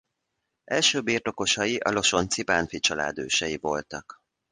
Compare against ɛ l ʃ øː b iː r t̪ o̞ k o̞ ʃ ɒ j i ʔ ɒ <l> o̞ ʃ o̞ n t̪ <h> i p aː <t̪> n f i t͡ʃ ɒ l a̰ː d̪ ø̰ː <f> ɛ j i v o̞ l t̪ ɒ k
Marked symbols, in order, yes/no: yes, no, no, no

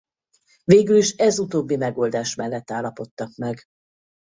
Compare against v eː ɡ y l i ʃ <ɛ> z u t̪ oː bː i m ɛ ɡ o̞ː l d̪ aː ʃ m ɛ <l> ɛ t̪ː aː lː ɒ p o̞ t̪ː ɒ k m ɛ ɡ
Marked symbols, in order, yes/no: yes, no

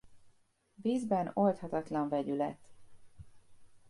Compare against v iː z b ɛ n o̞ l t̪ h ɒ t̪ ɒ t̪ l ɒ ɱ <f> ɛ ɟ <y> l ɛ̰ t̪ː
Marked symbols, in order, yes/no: no, yes

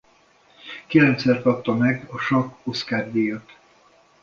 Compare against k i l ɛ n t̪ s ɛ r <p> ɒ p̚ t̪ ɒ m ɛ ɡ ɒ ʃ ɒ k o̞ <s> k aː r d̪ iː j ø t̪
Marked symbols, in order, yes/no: no, yes

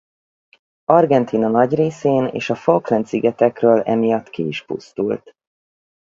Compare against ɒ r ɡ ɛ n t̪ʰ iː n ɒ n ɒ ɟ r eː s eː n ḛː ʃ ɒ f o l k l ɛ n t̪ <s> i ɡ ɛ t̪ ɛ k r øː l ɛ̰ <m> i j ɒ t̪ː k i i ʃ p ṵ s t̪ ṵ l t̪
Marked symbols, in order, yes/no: yes, yes

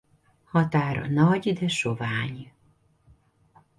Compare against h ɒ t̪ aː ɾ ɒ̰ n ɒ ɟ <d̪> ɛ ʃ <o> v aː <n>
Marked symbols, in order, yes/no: yes, yes, no

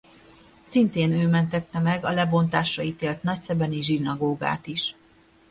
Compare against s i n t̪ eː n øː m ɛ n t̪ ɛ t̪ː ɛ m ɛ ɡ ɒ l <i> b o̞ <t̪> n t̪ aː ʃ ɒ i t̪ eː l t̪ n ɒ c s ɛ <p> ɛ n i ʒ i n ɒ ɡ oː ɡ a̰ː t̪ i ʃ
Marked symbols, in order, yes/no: no, no, no

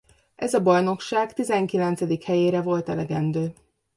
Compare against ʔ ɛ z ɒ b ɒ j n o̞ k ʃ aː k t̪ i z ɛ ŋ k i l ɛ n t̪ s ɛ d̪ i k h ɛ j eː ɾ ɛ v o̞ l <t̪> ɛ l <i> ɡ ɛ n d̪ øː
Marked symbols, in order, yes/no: yes, no

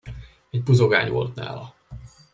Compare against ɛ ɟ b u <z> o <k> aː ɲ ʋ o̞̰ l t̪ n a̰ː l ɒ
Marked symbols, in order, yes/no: yes, no

